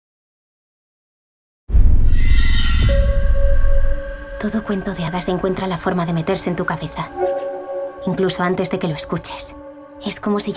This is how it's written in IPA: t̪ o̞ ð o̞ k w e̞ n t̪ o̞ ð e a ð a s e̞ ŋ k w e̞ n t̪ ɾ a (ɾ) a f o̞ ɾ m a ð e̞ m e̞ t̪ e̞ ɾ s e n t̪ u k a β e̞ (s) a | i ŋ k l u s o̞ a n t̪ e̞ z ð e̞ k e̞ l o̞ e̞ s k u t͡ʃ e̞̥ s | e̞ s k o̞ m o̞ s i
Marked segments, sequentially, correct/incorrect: incorrect, incorrect

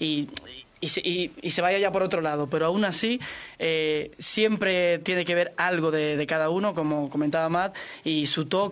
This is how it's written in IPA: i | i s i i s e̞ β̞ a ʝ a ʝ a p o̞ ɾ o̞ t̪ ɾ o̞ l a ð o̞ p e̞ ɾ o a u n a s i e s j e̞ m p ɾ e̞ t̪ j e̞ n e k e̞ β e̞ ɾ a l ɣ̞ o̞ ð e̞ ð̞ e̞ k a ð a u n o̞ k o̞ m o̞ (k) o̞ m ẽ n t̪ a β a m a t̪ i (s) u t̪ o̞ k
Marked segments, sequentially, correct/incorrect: correct, correct

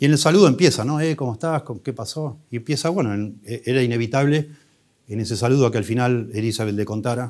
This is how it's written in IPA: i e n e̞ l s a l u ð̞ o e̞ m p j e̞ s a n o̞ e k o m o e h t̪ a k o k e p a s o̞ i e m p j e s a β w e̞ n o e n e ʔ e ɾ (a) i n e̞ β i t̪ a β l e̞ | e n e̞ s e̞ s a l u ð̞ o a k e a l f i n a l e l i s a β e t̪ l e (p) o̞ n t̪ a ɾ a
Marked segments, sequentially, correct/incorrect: correct, incorrect

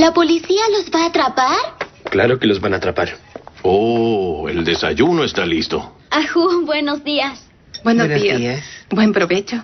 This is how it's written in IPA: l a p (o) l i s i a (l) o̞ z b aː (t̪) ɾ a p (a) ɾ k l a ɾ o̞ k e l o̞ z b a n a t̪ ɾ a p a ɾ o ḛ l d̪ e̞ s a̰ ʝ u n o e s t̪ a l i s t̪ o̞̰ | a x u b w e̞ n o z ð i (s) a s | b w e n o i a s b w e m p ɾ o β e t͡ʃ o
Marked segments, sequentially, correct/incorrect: correct, correct, correct, correct, incorrect

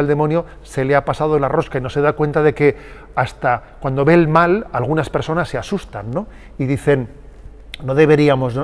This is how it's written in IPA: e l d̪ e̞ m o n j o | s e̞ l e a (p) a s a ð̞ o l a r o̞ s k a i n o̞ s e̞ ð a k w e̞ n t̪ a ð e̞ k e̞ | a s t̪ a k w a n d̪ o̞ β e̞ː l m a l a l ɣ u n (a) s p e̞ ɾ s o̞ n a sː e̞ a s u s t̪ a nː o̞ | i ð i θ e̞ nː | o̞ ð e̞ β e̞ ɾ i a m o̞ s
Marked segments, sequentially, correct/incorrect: correct, correct

